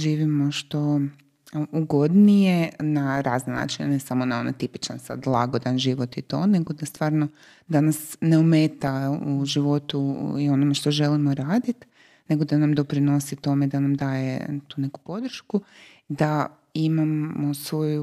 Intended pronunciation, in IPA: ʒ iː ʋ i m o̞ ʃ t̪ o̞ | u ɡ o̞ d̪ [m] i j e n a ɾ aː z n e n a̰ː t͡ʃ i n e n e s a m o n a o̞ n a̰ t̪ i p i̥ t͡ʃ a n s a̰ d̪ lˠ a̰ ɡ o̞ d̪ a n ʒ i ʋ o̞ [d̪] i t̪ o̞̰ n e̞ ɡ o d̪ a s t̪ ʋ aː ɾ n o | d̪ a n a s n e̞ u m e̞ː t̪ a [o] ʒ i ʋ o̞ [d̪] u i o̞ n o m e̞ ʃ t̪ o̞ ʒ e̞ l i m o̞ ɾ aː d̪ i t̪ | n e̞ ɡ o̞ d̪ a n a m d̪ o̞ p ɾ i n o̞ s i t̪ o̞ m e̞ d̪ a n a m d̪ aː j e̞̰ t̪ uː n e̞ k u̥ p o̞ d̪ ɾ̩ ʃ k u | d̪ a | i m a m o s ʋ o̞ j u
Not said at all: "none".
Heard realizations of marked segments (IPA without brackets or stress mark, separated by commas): n, t̪, u, t̪